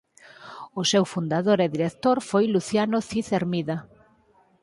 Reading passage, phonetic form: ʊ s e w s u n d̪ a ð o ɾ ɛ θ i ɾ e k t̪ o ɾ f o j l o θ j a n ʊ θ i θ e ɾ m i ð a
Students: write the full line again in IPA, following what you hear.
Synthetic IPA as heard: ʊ s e w f u n d̪ a ð o ɾ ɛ ð i ɾ e k t̪ o ɾ f o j l u θ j a n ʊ θ i θ e ɾ m i ð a